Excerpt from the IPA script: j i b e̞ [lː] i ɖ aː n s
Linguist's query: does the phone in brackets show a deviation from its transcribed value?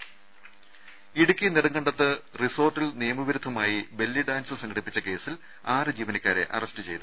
no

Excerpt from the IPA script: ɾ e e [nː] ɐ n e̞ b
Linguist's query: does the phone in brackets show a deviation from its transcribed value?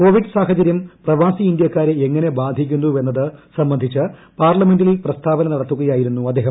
yes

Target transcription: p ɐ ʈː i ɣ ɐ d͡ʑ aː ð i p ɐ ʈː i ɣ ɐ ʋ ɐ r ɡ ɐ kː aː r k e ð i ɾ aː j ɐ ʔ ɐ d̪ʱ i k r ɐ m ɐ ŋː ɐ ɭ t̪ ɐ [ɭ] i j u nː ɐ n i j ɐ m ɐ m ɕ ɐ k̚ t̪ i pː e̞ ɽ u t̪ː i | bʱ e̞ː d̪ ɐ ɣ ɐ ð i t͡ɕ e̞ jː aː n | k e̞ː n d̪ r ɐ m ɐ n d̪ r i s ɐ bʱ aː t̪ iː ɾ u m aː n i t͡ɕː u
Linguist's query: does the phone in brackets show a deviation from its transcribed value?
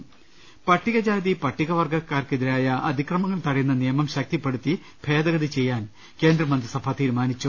yes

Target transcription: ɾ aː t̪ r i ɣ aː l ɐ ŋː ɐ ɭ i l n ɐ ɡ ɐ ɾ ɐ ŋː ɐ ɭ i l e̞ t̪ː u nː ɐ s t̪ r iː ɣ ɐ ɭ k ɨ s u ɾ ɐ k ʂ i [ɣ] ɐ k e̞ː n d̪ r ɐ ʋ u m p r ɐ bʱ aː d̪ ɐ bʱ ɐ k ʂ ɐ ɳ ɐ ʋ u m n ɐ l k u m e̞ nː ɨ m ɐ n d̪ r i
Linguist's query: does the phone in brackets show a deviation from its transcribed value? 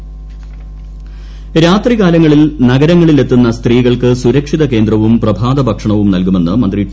yes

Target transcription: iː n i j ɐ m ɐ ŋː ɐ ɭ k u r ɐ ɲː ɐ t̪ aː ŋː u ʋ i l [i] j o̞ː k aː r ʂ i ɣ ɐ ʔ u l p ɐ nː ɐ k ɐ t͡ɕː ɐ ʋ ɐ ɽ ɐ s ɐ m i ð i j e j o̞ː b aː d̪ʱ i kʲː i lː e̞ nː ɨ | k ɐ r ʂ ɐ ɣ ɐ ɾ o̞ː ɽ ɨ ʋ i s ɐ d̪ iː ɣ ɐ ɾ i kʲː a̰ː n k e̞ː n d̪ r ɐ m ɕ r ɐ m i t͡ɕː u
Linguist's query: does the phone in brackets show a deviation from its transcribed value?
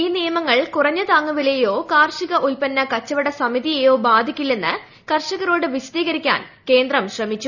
yes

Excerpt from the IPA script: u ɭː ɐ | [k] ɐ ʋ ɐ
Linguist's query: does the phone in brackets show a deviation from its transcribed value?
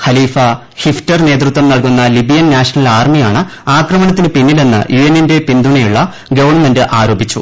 yes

